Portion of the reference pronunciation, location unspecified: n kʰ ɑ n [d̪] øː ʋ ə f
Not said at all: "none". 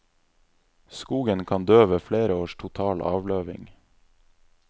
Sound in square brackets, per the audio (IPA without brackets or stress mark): d̪